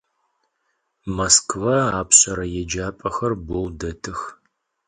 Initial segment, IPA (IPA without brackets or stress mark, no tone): m